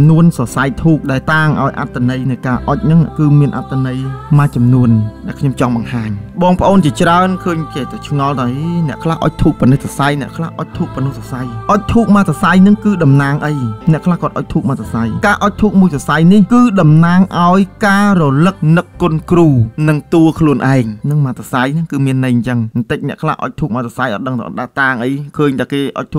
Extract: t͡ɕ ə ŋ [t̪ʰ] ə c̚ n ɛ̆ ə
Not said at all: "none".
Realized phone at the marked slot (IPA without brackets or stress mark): t̪